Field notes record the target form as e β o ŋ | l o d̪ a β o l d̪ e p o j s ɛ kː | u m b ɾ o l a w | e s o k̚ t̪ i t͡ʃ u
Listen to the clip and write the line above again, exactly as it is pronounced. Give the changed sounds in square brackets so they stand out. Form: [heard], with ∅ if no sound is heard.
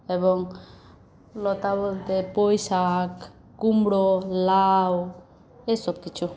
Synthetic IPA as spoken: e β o ŋ | l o [t̪] a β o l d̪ e p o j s [a] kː | u m b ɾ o l a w | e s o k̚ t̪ i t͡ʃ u